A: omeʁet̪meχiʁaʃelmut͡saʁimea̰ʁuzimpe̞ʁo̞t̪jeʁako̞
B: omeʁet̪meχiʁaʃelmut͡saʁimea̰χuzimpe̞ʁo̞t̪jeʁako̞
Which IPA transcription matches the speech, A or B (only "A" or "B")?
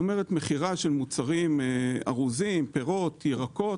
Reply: A